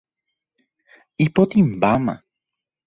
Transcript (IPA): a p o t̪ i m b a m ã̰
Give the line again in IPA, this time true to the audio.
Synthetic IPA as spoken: i p o t̪ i m b a m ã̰